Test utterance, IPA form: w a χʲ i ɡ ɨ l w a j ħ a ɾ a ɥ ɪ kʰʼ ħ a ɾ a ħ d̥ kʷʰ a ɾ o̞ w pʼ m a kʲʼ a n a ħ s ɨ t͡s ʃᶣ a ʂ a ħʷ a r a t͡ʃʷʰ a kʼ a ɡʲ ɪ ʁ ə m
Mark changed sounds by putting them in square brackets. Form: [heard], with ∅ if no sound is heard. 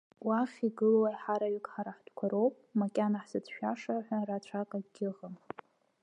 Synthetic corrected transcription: w a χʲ i ɡ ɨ l w a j ħ a ɾ a ɥ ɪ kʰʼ ħ a ɾ a ħ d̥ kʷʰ a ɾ o̞ w pʼ m a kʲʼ a n a ħ s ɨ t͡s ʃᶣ a ʂ a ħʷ a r a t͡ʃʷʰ a kʼ a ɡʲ ɪ ʁ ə m